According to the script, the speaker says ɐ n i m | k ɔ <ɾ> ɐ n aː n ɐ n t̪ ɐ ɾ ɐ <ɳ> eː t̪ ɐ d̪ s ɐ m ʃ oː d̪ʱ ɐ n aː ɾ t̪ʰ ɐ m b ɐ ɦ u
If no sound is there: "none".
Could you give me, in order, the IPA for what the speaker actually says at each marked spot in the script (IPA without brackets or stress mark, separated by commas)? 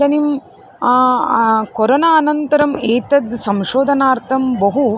ɾ, m